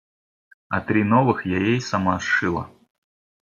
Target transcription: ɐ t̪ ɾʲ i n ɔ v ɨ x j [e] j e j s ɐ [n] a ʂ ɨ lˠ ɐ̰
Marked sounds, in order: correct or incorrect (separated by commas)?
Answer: incorrect, incorrect